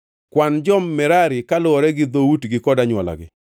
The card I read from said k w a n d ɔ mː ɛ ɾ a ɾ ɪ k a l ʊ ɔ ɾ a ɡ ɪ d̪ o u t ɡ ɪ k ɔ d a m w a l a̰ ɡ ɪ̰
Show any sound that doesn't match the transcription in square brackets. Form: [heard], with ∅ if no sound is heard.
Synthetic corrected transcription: k w a n [d͡ʒ] ɔ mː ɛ ɾ a ɾ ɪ k a l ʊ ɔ ɾ [ɛ] ɡ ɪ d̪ o u t ɡ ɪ k ɔ d a [ɲ] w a l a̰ ɡ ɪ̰